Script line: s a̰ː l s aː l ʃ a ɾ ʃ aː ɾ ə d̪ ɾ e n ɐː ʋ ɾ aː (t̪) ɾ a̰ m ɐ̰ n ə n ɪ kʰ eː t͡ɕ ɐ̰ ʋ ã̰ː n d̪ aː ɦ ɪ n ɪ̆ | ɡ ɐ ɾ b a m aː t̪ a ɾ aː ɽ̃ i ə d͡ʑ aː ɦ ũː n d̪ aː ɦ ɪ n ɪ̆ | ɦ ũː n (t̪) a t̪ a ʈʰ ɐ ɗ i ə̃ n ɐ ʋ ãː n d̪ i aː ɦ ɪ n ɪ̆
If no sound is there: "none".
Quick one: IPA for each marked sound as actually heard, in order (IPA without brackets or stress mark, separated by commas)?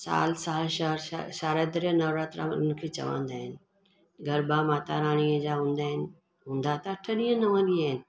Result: t̪, d̪